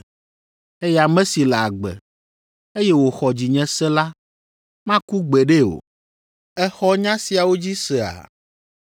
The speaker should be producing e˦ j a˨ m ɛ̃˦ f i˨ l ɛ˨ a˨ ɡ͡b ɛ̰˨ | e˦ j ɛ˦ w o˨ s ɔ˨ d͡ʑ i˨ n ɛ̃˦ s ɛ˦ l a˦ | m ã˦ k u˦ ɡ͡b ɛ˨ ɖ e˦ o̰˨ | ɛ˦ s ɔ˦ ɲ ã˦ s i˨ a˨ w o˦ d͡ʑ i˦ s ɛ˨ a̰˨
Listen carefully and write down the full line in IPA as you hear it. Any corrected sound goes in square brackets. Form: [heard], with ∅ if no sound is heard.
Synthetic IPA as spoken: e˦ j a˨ m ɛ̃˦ [s] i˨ l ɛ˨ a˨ ɡ͡b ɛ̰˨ | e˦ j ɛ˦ w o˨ [x] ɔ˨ d͡ʑ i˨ [ɲ] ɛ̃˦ s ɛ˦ l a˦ | m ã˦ k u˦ ɡ͡b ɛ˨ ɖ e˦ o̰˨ | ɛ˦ [x] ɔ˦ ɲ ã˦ s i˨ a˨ w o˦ d͡ʑ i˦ s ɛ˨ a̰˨